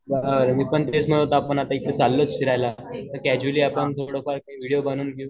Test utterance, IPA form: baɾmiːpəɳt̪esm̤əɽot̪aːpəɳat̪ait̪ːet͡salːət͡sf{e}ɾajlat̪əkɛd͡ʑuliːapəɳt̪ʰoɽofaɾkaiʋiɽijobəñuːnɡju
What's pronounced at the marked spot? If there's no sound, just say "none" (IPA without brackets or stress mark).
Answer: i